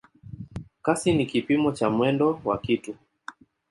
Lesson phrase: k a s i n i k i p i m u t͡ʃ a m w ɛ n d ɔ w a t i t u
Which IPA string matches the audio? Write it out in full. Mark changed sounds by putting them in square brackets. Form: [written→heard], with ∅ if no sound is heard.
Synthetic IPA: k a s i n i k i p i m [u→ɔ] t͡ʃ a m w ɛ n d ɔ w a [t→k] i t u